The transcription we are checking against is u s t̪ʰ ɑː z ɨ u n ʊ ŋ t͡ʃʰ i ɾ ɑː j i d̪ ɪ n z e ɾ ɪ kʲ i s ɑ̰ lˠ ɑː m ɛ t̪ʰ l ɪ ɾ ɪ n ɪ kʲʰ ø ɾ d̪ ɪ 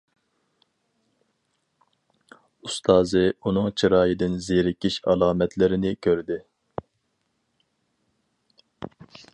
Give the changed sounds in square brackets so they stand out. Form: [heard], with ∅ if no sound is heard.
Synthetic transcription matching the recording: u s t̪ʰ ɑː z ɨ u n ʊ ŋ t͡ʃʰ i ɾ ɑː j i d̪ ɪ n z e ɾ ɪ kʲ i [ʃ] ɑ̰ lˠ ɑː m ɛ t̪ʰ l ɪ ɾ ɪ n ɪ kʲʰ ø ɾ d̪ ɪ